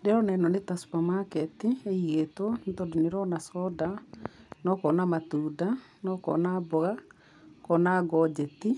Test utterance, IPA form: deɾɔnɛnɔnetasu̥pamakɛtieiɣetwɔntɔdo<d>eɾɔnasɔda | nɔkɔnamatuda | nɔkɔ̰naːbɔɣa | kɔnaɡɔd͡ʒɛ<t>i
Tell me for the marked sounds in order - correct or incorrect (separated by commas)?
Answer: incorrect, correct